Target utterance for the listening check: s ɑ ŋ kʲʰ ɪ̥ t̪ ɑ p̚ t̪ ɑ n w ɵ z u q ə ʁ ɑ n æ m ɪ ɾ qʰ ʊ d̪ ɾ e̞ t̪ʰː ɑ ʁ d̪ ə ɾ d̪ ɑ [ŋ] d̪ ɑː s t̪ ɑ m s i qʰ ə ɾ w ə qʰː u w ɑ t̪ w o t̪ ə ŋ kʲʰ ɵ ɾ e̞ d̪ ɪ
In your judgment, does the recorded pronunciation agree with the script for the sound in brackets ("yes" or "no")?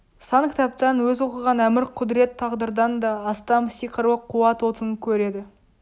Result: no